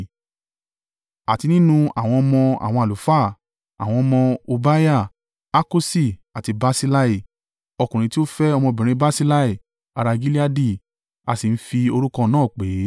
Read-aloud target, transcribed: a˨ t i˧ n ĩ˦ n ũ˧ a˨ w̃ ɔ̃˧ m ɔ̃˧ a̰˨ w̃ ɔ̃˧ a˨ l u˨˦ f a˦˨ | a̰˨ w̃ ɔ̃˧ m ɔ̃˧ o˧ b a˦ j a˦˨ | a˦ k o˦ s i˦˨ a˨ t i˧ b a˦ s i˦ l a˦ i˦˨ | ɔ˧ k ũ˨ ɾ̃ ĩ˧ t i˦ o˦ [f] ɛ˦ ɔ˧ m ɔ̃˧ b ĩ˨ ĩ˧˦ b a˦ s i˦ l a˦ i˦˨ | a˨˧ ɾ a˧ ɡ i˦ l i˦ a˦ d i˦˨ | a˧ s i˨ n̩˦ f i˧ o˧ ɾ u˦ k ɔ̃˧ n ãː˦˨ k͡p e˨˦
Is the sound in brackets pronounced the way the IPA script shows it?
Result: yes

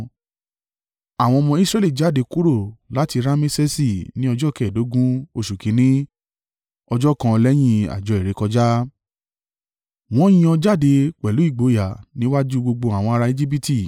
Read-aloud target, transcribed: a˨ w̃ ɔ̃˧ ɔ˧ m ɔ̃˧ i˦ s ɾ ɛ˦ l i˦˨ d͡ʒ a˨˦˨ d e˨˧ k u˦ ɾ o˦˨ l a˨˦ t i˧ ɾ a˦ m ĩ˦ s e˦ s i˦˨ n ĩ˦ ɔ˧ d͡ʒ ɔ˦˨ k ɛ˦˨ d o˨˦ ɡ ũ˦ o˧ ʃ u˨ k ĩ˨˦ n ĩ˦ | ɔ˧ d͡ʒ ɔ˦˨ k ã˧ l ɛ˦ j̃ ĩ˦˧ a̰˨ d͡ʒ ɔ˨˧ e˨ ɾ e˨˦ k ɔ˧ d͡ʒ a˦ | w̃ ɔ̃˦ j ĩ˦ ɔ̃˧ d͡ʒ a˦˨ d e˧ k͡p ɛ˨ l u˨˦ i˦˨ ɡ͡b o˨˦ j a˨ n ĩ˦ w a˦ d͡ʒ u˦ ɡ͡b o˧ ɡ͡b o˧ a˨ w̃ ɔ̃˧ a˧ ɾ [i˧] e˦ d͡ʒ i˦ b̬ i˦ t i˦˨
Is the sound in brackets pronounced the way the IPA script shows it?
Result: no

